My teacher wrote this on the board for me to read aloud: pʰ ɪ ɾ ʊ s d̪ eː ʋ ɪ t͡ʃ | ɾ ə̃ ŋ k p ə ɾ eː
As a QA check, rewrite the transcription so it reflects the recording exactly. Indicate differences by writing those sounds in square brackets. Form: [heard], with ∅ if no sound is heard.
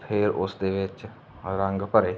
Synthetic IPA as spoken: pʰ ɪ ɾ ʊ s d̪ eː ʋ ɪ t͡ʃ | ɾ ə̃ ŋ [ɡ] p ə ɾ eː

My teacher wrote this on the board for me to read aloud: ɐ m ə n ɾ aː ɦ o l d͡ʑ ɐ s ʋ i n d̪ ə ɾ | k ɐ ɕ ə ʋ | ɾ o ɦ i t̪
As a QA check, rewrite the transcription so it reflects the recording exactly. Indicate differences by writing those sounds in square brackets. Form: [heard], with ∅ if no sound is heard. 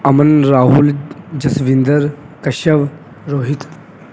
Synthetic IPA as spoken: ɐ m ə n ɾ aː ɦ [u] l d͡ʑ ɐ s ʋ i n d̪ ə ɾ | k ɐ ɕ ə ʋ | ɾ o ɦ i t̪

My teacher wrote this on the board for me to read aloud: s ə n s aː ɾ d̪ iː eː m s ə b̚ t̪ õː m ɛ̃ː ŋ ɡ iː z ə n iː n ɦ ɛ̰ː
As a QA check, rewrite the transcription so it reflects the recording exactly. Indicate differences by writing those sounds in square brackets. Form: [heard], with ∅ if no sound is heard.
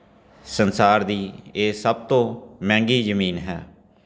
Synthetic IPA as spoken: s ə n s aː ɾ d̪ iː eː [∅] s ə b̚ t̪ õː m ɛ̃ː ŋ ɡ iː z ə [m] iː n ɦ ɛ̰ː

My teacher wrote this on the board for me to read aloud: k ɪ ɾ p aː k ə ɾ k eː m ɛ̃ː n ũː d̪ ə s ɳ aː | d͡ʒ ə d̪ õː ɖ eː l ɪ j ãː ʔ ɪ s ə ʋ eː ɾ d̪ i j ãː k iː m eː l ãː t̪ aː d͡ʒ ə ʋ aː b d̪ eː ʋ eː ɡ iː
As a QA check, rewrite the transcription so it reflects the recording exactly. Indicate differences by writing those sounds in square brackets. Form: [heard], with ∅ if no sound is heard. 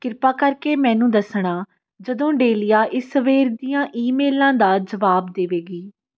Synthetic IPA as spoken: k ɪ ɾ p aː k ə ɾ k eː m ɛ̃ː n ũː d̪ ə s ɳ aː | d͡ʒ ə d̪ õː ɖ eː l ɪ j [aː] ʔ ɪ s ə ʋ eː ɾ d̪ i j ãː [ʔ] iː m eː l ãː [d̪] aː d͡ʒ ə ʋ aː b d̪ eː ʋ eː ɡ iː

